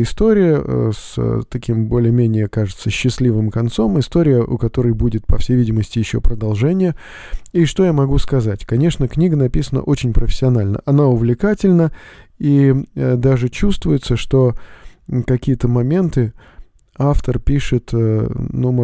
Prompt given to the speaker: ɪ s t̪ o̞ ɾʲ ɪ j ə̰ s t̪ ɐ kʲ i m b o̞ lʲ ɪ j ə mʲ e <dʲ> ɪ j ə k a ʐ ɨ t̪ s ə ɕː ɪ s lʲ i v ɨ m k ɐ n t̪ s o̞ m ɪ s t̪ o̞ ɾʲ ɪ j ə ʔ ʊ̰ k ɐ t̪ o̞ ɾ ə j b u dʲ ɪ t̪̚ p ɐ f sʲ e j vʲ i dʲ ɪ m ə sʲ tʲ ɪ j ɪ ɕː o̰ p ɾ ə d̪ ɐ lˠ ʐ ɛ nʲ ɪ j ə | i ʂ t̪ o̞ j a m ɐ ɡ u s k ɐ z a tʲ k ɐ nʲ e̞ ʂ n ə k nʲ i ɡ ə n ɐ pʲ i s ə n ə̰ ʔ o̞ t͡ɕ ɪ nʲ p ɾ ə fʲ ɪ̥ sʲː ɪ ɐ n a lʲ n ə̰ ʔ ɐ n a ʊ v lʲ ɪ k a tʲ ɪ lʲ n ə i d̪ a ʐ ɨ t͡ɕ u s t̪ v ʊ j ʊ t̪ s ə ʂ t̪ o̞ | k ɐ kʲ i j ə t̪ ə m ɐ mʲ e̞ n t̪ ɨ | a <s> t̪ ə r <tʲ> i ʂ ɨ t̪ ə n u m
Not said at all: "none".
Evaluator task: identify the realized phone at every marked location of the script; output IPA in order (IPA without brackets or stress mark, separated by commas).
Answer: nʲ, f, pʲ